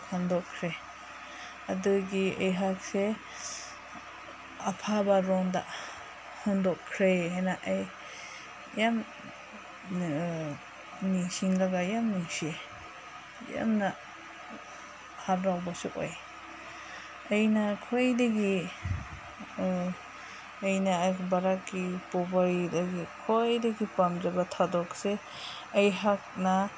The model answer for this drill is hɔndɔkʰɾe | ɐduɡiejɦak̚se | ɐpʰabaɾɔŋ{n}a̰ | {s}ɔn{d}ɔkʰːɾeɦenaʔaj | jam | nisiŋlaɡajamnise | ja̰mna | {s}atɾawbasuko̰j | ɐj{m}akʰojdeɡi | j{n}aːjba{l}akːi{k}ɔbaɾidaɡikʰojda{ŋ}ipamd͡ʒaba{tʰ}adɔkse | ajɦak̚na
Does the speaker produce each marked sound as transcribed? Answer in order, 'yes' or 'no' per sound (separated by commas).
no, no, yes, no, no, yes, no, no, no, yes